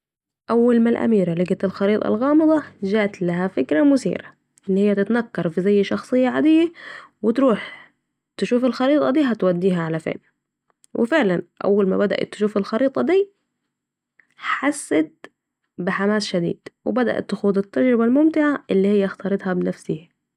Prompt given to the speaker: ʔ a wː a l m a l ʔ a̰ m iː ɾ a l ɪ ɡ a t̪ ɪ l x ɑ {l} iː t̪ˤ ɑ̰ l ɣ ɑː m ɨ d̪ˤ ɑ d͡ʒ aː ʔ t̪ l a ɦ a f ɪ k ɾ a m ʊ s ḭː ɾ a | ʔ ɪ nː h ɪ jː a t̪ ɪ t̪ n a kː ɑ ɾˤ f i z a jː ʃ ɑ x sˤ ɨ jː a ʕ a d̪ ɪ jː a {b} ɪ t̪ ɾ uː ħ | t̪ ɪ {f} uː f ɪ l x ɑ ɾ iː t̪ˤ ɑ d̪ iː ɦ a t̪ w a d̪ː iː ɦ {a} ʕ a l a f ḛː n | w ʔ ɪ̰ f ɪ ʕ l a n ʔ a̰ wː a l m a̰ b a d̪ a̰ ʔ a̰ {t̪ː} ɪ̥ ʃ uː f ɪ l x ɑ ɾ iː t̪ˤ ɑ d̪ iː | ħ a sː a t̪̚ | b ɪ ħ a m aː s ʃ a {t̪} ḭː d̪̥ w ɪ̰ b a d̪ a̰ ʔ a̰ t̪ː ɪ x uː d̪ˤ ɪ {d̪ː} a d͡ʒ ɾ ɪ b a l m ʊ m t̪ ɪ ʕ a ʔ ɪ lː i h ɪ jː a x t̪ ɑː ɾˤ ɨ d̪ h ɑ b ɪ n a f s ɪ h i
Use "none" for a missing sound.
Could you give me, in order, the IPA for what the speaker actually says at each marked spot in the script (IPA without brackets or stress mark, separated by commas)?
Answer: ɾ, w, ʃ, a, t̪ː, d̪, t̪ː